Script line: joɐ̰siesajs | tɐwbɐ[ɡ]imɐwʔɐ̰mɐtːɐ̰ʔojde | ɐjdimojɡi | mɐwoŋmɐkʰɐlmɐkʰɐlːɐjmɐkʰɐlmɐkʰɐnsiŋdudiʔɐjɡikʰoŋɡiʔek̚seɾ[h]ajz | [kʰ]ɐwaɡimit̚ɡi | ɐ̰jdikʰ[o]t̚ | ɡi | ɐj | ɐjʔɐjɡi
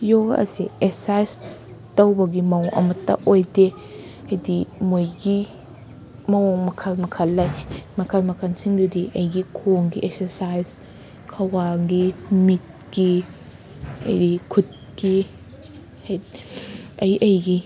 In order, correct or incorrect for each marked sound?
correct, incorrect: s, correct, incorrect: u

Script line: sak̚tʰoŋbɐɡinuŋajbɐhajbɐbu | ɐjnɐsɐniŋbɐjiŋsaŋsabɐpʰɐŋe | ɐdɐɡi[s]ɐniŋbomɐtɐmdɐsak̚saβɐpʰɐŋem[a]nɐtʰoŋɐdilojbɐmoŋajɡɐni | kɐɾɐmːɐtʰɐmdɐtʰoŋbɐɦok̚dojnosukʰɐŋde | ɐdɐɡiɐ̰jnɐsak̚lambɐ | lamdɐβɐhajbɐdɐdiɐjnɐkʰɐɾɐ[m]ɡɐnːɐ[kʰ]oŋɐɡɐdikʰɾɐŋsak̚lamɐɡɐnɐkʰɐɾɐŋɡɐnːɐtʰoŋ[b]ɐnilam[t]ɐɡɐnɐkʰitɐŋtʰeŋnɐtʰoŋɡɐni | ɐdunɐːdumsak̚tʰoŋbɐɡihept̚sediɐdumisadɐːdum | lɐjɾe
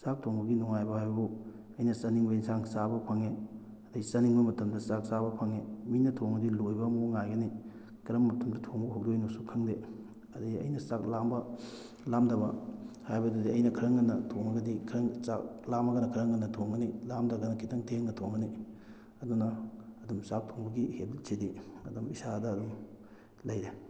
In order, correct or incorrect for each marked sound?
correct, incorrect: i, incorrect: ŋ, incorrect: tʰ, incorrect: ɡ, incorrect: d

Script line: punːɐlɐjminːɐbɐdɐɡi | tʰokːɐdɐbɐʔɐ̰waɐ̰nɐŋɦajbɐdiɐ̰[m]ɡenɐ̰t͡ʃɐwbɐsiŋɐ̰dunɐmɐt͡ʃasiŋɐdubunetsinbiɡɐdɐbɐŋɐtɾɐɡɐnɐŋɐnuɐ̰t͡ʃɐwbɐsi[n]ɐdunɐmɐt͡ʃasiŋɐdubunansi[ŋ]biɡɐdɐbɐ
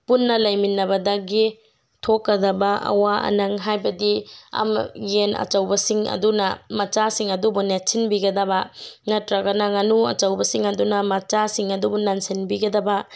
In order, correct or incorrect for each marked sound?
correct, incorrect: ŋ, incorrect: n

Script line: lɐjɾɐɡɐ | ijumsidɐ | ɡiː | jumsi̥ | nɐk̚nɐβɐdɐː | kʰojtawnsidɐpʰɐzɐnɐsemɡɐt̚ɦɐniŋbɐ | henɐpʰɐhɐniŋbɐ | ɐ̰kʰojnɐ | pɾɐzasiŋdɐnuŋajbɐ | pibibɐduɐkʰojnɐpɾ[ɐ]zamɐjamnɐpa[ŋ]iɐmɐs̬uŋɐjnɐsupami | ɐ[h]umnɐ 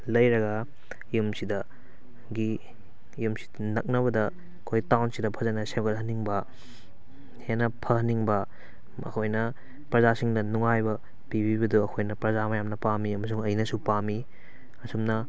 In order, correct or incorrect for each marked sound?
correct, incorrect: m, incorrect: s

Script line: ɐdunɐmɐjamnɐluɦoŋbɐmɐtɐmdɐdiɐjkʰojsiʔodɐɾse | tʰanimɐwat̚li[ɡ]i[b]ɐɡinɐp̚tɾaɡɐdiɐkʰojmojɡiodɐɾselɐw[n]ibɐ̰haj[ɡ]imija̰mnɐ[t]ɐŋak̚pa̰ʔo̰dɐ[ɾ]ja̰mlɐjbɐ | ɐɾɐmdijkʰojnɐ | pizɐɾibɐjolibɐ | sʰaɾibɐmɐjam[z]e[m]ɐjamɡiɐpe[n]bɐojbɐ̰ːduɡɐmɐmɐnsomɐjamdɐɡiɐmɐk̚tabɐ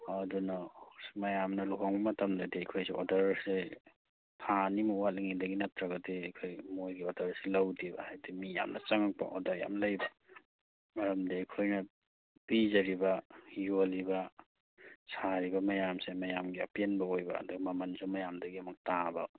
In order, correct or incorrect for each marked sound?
incorrect: ŋ, incorrect: d, incorrect: d, incorrect: d, incorrect: t͡ʃ, correct, incorrect: s, correct, correct

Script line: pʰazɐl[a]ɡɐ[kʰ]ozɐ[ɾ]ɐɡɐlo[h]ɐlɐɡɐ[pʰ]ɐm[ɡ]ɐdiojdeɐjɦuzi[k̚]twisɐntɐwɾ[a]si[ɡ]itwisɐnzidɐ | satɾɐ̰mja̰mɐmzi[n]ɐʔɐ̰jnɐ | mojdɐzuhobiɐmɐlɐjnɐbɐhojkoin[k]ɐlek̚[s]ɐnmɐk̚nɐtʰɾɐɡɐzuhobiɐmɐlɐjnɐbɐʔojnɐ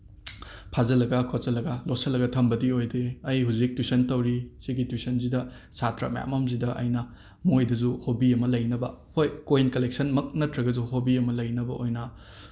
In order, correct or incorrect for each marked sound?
incorrect: ɐ, correct, incorrect: l, incorrect: s, incorrect: tʰ, incorrect: b, correct, incorrect: i, correct, incorrect: d, correct, correct

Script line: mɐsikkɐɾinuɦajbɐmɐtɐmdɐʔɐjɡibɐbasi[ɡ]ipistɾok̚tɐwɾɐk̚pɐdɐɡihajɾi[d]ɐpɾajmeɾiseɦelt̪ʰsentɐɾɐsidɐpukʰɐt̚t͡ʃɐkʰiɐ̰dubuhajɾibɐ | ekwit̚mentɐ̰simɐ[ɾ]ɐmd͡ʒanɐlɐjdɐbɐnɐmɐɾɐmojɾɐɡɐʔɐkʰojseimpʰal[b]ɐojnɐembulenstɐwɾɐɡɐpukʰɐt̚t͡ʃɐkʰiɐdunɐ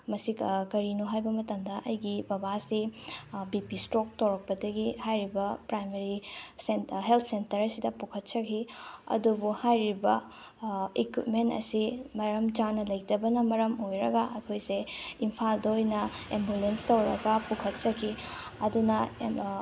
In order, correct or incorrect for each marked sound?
incorrect: b, incorrect: b, correct, incorrect: d

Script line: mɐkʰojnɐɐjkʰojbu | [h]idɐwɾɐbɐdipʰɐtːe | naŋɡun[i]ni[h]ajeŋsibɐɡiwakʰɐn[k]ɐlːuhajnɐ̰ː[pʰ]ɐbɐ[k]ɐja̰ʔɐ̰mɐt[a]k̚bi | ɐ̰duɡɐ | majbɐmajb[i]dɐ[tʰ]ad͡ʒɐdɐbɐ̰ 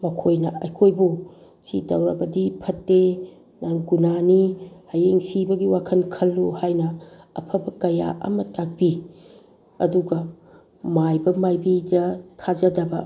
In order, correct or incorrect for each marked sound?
incorrect: s, incorrect: a, correct, incorrect: kʰ, correct, correct, correct, correct, correct

